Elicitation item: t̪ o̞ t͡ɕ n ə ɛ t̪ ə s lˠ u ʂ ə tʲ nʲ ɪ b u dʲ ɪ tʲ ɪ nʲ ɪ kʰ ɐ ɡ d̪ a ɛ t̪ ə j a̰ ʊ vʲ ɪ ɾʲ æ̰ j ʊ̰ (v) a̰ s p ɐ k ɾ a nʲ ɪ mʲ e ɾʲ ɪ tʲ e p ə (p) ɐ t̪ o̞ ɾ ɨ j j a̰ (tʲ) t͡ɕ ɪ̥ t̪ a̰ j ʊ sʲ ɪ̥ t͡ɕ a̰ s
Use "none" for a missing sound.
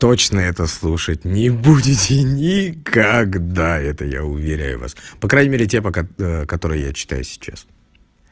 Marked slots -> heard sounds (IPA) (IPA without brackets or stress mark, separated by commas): v, k, none